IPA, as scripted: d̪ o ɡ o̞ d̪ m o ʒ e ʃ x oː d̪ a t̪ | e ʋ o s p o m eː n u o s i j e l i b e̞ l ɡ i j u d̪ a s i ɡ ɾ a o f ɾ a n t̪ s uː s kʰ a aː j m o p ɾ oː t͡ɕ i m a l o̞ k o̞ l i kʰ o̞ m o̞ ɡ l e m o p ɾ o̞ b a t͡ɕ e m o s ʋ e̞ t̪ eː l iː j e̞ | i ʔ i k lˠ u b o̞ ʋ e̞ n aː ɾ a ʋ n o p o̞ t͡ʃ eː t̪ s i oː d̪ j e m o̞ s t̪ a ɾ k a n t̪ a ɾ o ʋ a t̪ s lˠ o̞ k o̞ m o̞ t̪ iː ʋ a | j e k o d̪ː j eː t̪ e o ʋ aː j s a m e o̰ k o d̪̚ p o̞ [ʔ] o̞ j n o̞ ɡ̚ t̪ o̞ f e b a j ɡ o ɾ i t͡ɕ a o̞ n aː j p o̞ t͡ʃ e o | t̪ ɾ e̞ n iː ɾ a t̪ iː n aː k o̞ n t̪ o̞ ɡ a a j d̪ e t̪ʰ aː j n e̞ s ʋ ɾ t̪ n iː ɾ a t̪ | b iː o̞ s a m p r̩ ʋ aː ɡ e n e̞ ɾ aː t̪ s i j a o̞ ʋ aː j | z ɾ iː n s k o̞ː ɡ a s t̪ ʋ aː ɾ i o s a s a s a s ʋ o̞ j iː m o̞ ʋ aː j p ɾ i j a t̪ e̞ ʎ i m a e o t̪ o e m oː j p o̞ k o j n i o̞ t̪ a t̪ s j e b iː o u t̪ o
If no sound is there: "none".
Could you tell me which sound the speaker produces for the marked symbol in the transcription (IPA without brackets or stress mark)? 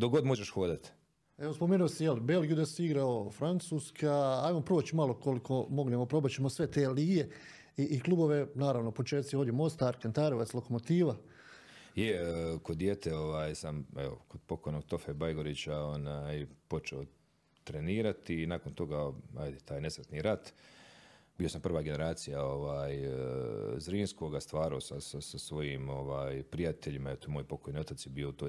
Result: k